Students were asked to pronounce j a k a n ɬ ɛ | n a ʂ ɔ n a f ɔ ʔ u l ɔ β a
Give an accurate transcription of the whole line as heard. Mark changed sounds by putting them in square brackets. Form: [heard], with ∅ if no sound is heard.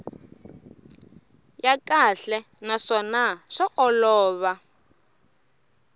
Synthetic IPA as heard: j a k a [∅] ɬ ɛ | n a ʂ ɔ n a [ʂ] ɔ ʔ [ɔ] l [ɔː] β a